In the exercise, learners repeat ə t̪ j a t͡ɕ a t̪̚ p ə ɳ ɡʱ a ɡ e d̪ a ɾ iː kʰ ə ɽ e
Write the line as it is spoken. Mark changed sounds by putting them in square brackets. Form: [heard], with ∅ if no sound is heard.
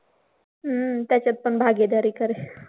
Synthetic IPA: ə t̪ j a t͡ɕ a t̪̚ p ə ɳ [bʱ] a ɡ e d̪ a ɾ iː [k] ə [ɾ] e